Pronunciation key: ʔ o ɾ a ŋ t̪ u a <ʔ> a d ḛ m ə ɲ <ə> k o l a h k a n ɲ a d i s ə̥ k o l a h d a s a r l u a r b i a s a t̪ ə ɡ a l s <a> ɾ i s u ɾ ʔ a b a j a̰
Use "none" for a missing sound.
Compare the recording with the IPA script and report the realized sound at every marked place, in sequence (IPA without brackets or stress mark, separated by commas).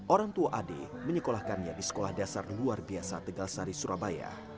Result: ʔ, ə, a